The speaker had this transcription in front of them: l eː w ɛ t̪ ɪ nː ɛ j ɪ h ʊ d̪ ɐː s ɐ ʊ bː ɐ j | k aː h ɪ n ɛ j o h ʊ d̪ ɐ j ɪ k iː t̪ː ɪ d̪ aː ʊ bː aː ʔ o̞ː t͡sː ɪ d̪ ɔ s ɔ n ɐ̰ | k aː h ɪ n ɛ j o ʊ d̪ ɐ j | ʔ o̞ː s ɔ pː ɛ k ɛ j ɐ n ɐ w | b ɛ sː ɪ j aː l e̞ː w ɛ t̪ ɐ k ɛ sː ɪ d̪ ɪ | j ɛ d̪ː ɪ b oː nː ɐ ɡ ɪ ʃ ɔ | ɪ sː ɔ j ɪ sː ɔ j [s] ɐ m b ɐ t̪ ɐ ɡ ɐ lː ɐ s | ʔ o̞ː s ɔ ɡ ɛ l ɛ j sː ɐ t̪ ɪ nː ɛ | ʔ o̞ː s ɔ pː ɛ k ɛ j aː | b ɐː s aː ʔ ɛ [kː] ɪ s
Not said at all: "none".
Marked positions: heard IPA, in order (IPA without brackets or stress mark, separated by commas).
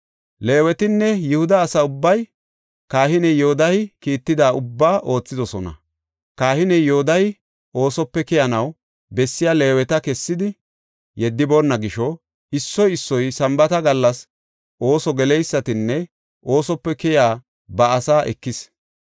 s, kː